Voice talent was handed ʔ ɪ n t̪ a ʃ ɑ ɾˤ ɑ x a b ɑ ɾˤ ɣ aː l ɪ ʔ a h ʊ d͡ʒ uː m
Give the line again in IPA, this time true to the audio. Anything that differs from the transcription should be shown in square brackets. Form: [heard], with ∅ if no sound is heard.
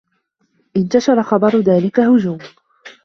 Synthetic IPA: ʔ ɪ n t̪ a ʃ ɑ ɾˤ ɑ x [ɑ] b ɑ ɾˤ [ð] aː l ɪ [k] a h ʊ d͡ʒ uː m